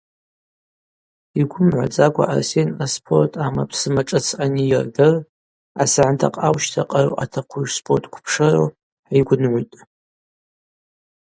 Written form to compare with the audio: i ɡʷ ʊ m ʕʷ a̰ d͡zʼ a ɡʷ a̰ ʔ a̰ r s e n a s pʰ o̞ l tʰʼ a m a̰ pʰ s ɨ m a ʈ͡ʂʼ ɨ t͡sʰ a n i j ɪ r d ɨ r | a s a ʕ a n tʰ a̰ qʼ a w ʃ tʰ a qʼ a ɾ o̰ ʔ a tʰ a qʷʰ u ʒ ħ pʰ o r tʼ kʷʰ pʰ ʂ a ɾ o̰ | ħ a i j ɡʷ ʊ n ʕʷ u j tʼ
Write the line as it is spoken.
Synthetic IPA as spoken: i ɡʷ ʊ m ʕʷ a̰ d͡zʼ a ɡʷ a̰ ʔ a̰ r s e n a s pʰ o̞ r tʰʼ a m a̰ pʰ s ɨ m a ʈ͡ʂʼ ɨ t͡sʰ a n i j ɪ r d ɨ r | a s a ʕ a n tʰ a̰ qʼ a w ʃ tʰ a qʼ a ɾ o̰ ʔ a tʰ a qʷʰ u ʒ s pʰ o r tʼ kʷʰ pʰ ʂ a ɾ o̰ | ħ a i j ɡʷ ʊ n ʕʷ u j tʼ